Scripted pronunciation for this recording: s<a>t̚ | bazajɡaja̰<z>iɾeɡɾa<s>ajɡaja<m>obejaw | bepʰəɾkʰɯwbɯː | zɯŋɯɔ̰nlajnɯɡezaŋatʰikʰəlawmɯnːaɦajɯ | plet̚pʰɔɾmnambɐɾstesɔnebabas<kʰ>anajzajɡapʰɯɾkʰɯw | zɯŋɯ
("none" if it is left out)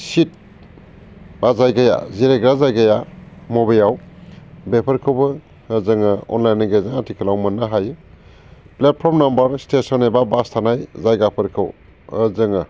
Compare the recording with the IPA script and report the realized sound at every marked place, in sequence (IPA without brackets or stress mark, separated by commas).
i, z, z, m, tʰ